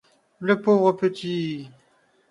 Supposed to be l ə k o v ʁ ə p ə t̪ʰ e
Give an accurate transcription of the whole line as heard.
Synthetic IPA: l ə p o v ʁ ə p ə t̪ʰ i

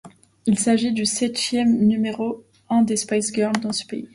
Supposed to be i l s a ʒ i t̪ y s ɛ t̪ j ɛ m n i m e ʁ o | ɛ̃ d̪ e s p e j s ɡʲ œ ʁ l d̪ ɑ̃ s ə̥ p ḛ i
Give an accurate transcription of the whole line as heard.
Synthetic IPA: i l s a ʒ i d̪ y s ɛ t̪ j ɛ m n y m e ʁ o | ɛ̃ d̪ e s p a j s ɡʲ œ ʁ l d̪ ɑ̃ s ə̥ p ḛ i

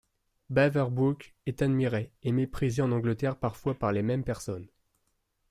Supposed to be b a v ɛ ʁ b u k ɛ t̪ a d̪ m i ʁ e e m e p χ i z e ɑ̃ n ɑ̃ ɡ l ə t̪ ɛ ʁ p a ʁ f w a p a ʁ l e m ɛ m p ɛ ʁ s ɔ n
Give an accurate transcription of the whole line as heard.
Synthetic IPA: b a v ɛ ʁ b u k ɛ t̪ a d̪ m i ʁ e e m e p χ i z e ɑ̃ n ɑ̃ ɡ l ə t̪ ɛ ʁ p a ʁ f w a p a ʁ l e m ɛ m p ɛ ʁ s ɔ n

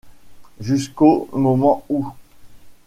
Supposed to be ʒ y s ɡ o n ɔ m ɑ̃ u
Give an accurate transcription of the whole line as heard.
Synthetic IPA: ʒ y s k o m ɔ m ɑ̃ u

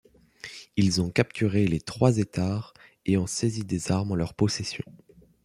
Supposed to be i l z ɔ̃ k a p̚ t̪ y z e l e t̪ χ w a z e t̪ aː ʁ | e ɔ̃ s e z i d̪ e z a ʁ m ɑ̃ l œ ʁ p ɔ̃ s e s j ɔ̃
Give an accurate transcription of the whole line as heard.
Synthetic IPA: i l z ɔ̃ k a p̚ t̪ y ʁ e l e t̪ χ w a z e t̪ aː ʁ | e ɔ̃ s e z i d̪ e z a ʁ m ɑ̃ l œ ʁ p ɔ s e s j ɔ̃

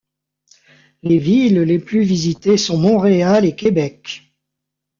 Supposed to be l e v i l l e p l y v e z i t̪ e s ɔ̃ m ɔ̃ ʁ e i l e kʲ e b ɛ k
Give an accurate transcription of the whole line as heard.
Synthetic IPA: l e v i l l e p l y v i z i t̪ e s ɔ̃ m ɔ̃ ʁ e a l e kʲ e b ɛ k

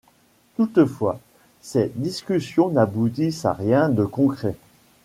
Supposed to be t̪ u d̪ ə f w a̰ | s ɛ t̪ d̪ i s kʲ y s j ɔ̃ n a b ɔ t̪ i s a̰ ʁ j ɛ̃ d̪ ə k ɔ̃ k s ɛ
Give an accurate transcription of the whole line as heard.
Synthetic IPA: t̪ u t̪ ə f w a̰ | s ɛ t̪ d̪ i s kʲ y s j ɔ̃ n a b u t̪ i s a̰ ʁ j ɛ̃ d̪ ə k ɔ̃ k χ ɛ

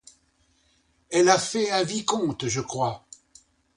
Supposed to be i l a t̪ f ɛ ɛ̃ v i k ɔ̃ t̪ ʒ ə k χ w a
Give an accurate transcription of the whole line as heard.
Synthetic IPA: ɛ l a f ɛ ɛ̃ v i k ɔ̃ t̪ ʒ ə k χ w a

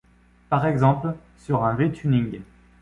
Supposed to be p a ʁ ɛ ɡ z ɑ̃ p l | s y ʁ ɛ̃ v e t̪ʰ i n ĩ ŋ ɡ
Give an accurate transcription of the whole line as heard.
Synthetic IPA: p a ʁ ɛ ɡ z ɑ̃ p l | s y ʁ ɛ̃ v e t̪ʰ y n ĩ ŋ ɡ

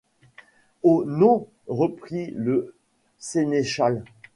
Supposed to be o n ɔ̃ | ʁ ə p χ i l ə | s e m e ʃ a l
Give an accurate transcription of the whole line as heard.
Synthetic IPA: o n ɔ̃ | ʁ ə p χ i l ə | s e n e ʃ a l

